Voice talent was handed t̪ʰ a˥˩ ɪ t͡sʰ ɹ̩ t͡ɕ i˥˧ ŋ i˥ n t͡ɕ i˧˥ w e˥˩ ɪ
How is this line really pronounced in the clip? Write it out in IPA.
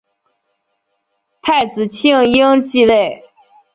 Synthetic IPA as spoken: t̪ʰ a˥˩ ɪ t͡s ɹ̩ t͡ɕʰ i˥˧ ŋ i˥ ŋ t͡ɕ i˥˧ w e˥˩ ɪ